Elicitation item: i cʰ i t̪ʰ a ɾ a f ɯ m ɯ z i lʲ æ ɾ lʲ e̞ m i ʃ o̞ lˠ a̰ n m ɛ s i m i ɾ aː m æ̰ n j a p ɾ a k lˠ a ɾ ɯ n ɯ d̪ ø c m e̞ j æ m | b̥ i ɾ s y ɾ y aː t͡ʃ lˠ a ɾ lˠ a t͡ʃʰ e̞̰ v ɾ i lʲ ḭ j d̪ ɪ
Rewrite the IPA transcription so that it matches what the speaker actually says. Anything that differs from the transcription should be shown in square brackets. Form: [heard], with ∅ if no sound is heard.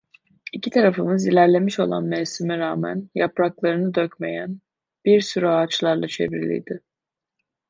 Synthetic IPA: i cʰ i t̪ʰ a ɾ a f ɯ m ɯ z i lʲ æ ɾ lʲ e̞ m i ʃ o̞ lˠ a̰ n m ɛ s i m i ɾ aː m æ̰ n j a p ɾ a k lˠ a ɾ ɯ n ɯ d̪ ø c m e̞ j æ [n] | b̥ i ɾ s y ɾ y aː t͡ʃ lˠ a ɾ lˠ a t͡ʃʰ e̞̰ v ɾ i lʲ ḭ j d̪ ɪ